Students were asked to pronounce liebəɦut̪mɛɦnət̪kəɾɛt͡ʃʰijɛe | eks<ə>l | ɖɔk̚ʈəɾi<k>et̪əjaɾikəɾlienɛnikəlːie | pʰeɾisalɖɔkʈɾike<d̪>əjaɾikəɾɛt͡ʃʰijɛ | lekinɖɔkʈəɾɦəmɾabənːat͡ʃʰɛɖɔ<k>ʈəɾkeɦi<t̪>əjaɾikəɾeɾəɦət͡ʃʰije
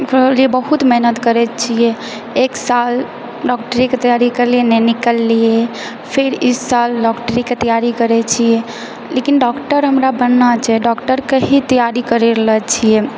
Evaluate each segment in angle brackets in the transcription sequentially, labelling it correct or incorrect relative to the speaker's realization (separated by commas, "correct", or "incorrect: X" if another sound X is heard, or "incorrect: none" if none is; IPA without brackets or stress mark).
incorrect: a, correct, incorrect: t̪, correct, correct